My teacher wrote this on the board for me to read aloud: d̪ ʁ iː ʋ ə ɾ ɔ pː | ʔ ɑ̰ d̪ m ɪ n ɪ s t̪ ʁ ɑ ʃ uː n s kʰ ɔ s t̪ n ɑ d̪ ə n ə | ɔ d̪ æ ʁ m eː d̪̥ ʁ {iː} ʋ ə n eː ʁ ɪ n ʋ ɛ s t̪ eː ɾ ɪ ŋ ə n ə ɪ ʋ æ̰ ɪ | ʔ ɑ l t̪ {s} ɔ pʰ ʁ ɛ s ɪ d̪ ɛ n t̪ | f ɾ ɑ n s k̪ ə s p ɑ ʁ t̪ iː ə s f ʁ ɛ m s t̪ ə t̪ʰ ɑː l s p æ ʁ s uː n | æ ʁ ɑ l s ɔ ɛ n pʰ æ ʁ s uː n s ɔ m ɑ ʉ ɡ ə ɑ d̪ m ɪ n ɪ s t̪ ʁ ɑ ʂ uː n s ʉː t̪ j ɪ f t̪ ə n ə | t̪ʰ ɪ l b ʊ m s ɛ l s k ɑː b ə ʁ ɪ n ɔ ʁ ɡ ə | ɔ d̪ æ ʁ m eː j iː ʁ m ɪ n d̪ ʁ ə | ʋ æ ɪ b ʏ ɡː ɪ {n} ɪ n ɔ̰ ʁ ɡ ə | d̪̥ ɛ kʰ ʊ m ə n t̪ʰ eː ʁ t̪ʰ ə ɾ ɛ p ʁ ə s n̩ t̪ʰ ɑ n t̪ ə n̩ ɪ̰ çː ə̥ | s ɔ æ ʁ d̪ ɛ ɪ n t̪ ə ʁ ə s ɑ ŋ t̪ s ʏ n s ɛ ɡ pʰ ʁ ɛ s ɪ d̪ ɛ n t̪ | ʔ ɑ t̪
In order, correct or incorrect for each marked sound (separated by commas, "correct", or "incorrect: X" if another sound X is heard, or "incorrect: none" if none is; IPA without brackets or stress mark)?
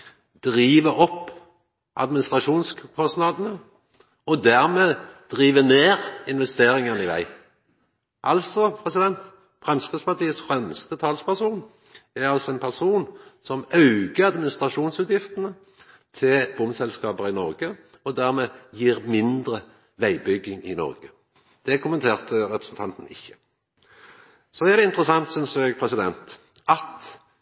correct, correct, incorrect: ŋ